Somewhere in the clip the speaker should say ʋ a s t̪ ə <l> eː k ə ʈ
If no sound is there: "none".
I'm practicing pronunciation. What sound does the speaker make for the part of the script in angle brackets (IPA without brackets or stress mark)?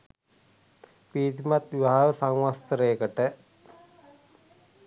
ɾ